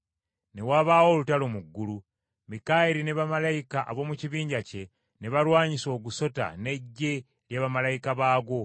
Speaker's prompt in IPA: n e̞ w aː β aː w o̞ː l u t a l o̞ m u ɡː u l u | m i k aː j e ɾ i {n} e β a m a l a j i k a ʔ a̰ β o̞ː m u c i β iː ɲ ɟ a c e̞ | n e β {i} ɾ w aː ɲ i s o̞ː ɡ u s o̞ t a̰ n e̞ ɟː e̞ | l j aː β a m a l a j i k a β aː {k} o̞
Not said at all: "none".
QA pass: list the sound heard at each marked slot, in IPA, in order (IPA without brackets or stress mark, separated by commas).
n, a, ɡ